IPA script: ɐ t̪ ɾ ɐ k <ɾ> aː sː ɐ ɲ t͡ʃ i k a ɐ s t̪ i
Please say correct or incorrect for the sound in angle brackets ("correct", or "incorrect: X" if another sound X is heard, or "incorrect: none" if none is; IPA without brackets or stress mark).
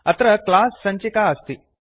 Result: incorrect: l